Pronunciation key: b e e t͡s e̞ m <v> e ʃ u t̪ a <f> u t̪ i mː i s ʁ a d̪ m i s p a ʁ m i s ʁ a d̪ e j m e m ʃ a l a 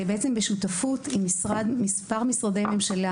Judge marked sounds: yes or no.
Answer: no, yes

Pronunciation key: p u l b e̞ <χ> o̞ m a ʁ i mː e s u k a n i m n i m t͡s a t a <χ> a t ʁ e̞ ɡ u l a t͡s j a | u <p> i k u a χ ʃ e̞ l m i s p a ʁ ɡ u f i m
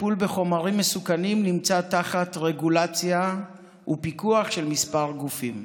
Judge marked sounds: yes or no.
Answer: yes, yes, yes

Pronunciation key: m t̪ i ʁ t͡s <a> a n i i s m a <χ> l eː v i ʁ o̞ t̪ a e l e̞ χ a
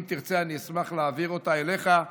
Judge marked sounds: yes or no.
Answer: no, yes

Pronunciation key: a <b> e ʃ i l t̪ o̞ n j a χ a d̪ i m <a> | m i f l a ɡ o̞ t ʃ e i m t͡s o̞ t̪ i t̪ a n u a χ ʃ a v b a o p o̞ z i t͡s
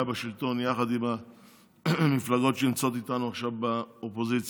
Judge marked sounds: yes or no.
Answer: yes, yes

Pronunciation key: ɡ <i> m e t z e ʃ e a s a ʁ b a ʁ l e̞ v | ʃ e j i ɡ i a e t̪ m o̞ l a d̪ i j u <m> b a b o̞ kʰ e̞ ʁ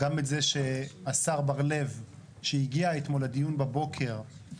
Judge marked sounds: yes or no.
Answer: no, no

